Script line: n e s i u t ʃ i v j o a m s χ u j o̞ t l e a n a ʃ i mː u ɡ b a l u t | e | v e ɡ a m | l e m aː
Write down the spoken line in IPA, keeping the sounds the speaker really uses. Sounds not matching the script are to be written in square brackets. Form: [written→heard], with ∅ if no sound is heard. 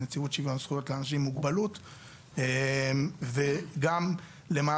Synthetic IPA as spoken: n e [s→t͡s] i u t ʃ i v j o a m s χ u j o̞ t l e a n a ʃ i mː u ɡ b a l u t | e | v e ɡ a m | l e m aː